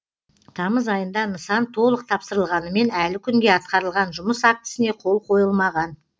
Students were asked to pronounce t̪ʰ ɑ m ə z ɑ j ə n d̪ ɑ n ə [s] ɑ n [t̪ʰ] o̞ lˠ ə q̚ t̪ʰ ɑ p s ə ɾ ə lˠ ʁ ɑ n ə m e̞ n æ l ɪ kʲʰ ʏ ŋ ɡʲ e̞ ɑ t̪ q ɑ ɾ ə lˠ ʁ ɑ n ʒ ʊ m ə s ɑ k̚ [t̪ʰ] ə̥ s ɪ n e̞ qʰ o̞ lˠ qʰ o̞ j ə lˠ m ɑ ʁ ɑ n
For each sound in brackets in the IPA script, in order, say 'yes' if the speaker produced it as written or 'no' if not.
yes, yes, no

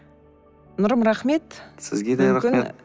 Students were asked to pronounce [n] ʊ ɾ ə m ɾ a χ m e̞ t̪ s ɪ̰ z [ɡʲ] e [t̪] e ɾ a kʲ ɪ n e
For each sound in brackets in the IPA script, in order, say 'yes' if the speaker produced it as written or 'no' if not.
yes, yes, no

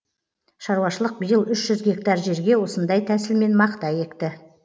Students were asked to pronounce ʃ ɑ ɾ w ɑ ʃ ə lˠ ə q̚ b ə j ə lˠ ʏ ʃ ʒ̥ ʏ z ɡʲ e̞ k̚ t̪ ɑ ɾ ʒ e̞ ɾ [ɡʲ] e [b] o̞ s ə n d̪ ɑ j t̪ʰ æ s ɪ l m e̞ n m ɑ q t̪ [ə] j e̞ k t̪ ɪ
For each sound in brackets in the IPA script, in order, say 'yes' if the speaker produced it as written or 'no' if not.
yes, no, no

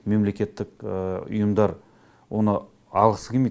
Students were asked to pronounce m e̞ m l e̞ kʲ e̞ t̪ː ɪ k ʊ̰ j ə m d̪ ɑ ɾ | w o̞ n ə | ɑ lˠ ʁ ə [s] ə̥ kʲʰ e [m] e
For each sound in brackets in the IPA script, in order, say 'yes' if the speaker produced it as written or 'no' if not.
yes, yes

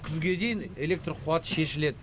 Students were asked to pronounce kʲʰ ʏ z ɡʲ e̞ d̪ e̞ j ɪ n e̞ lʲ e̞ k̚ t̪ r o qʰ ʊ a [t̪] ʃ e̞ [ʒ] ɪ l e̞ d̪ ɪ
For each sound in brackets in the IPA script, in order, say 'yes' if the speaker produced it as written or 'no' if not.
yes, no

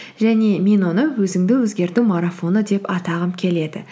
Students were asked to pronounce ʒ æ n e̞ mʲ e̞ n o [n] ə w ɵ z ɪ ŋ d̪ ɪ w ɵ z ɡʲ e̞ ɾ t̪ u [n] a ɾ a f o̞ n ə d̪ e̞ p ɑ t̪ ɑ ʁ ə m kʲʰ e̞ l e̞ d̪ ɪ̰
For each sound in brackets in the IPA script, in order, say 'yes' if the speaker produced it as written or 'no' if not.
yes, no

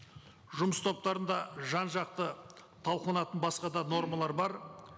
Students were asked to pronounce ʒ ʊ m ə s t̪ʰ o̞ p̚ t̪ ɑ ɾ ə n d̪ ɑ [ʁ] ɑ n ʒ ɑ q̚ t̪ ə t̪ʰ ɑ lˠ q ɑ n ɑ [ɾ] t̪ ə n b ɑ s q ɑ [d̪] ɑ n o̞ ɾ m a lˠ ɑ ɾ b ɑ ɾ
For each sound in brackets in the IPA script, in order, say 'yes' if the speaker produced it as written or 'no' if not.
no, no, yes

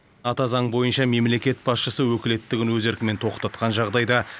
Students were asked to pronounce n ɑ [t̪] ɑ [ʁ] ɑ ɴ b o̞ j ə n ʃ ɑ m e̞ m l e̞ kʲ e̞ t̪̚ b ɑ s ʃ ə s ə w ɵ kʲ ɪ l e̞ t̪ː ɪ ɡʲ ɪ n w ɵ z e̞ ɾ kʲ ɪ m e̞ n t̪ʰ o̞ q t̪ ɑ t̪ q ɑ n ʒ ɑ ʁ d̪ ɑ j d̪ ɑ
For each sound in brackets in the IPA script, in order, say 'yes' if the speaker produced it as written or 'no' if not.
yes, no

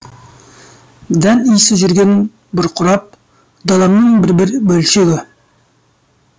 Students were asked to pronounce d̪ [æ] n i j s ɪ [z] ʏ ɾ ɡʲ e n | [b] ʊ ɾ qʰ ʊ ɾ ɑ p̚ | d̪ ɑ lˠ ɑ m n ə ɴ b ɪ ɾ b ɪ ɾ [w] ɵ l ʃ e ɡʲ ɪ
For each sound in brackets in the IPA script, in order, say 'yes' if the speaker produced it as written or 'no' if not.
yes, no, yes, no

